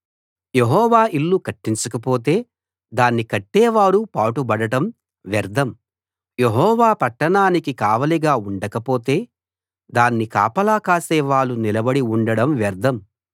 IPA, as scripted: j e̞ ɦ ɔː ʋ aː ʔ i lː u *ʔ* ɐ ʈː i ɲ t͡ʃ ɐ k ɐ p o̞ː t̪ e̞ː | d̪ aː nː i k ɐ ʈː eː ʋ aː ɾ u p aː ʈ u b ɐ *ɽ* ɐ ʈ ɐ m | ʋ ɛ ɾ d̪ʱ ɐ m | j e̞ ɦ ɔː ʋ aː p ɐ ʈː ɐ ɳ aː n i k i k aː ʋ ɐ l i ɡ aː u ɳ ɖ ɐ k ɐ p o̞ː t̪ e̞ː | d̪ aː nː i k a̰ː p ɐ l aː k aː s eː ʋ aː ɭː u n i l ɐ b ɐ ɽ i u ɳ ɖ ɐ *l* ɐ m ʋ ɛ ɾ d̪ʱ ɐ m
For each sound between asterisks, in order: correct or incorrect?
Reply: incorrect, correct, incorrect

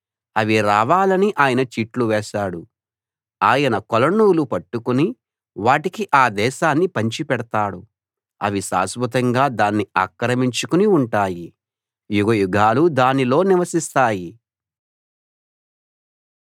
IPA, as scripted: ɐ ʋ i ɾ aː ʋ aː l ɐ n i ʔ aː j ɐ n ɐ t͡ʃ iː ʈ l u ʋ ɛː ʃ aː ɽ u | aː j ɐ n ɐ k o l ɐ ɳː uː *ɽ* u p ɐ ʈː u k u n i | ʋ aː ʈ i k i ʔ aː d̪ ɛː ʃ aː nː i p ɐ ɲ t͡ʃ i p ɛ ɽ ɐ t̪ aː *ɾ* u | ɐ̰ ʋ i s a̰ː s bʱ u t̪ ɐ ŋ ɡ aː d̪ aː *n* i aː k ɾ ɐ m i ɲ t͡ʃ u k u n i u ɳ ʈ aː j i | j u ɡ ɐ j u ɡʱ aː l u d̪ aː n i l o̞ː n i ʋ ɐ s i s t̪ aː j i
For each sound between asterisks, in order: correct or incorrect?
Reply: incorrect, incorrect, incorrect

